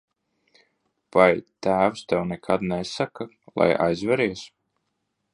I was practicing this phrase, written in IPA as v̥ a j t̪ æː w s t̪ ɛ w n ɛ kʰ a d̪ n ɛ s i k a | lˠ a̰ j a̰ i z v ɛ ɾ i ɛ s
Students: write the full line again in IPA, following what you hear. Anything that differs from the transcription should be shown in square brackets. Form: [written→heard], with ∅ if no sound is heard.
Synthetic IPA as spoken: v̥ a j t̪ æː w s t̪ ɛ w n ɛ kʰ a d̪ n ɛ s [i→a] k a | lˠ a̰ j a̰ [i→j] z v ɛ ɾ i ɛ s